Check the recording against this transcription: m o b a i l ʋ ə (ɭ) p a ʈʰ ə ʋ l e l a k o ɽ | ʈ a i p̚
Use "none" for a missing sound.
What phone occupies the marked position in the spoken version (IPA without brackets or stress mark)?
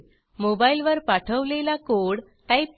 ɾ